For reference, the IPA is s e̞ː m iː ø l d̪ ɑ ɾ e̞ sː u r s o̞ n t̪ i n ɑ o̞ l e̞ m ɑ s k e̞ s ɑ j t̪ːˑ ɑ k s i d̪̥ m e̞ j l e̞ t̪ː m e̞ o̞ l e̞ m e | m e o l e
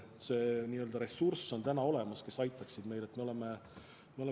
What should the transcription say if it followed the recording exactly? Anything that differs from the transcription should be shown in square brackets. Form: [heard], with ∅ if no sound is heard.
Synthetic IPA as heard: s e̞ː [n] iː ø l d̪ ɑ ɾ e̞ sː u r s o̞ n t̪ [æ] n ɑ o̞ l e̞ m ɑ s k e̞ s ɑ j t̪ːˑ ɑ k s i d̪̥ m e̞ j l e̞ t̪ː m e̞ o̞ l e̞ m e | m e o l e